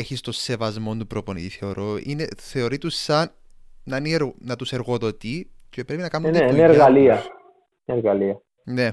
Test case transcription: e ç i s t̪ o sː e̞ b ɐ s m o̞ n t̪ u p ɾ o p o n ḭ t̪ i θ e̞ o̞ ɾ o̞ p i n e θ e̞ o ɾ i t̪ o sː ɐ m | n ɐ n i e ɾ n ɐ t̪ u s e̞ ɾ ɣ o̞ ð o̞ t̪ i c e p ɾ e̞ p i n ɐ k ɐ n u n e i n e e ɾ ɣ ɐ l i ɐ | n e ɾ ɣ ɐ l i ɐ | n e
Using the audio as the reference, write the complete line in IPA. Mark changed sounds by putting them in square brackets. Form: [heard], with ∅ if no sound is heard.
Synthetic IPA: e ç i s t̪ o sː e̞ [v] ɐ [z] m o̞ n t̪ u p ɾ o p o n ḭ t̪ i θ e̞ o̞ ɾ o̞ [∅] i n e θ e̞ o ɾ i t̪ [u] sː ɐ [n] | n ɐ n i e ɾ n ɐ t̪ u s e̞ ɾ ɣ o̞ ð o̞ t̪ i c e p ɾ e̞ p i n ɐ k ɐ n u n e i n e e ɾ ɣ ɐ l i ɐ | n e ɾ ɣ ɐ l i ɐ | n e